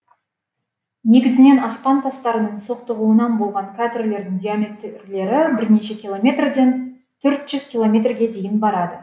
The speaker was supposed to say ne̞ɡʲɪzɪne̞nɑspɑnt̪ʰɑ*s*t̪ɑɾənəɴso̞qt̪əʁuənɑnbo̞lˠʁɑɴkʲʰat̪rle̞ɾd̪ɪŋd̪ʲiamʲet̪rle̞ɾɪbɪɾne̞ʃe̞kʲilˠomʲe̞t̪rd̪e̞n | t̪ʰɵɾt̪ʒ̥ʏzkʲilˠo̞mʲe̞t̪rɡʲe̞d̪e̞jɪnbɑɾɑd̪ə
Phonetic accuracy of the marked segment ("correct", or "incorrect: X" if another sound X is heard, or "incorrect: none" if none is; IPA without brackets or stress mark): correct